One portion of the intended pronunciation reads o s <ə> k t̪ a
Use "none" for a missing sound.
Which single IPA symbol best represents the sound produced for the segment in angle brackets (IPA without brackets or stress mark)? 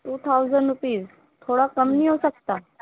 ə